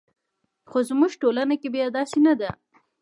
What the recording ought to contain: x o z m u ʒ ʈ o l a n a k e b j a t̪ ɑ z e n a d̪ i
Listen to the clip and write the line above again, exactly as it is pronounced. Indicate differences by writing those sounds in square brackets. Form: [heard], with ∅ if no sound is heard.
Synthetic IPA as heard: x o z m u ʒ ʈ o l a n a k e b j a [d̪] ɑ [s] e n a d̪ [a]